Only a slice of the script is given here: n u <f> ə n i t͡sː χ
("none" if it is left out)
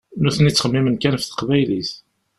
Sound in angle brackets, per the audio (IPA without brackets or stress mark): θ